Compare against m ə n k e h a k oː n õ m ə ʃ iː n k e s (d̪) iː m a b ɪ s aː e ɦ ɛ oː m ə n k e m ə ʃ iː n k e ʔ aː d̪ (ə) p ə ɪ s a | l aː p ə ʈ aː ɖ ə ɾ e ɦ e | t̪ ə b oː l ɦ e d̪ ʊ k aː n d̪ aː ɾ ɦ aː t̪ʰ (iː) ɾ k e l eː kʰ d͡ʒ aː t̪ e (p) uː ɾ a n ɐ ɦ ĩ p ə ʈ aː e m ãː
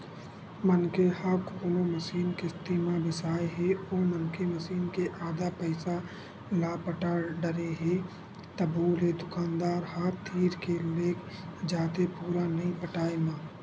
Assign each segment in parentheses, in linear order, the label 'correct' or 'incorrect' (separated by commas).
incorrect, incorrect, correct, correct